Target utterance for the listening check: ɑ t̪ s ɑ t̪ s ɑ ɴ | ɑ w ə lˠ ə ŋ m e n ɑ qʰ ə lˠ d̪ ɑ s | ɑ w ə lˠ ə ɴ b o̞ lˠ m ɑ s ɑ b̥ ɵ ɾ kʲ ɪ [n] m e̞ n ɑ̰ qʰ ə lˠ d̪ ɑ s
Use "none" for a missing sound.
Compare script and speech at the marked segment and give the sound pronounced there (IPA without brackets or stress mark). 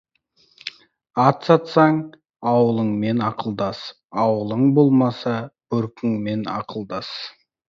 ŋ